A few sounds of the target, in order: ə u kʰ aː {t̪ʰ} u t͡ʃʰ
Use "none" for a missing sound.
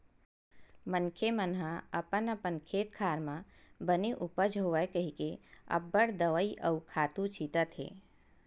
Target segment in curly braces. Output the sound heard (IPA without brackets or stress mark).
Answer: t̪